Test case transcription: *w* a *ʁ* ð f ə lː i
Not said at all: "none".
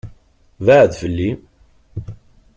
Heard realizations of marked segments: v, ʕ

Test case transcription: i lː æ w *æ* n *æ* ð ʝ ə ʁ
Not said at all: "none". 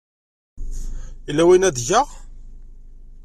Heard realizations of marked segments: i, æ

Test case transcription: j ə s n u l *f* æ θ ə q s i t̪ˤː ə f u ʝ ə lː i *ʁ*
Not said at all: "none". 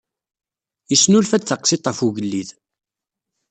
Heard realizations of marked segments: f, ð

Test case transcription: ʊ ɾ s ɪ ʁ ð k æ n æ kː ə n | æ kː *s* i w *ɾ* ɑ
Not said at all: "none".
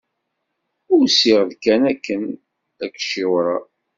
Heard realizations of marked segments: ʃ, ɾ

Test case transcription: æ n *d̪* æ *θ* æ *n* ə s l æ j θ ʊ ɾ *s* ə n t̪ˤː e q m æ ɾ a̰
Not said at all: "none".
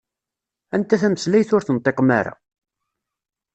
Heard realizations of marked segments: t̪, θ, m, θ

